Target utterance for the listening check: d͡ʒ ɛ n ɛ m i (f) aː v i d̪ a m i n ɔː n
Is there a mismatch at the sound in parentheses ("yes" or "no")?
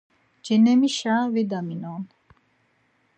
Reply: yes